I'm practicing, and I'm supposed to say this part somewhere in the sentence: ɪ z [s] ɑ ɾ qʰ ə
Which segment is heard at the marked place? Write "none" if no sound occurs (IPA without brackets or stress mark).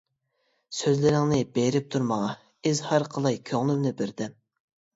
h